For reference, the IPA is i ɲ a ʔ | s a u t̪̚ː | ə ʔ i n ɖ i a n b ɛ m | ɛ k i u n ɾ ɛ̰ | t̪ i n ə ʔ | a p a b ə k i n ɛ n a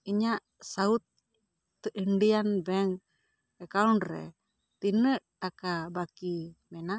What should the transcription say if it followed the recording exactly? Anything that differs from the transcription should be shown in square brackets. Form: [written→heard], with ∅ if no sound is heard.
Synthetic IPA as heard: i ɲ a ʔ | s a u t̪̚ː | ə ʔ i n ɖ i a n b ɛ [m→ŋ] | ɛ k [i→a] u n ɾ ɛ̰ | t̪ i n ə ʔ | a [p→k] a b [ə→a] k i [n→m] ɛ n a

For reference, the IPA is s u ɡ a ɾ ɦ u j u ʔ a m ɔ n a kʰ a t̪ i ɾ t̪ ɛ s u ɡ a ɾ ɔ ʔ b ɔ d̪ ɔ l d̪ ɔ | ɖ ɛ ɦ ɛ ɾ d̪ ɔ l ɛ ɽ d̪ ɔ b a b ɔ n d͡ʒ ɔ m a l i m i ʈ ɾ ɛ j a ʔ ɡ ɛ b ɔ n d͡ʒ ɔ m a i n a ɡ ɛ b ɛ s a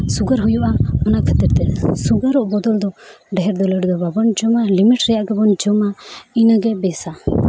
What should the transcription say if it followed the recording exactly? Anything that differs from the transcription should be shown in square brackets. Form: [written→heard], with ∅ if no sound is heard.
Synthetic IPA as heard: s u ɡ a ɾ ɦ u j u ʔ a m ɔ n a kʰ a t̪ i ɾ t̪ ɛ s u ɡ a ɾ ɔ ʔ b ɔ d̪ ɔ l d̪ ɔ | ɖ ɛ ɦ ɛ ɾ d̪ ɔ l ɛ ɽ d̪ ɔ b a b ɔ n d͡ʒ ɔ m a l i m i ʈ ɾ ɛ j a ʔ ɡ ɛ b ɔ n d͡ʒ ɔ m a i n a ɡ ɛ b ɛ s a

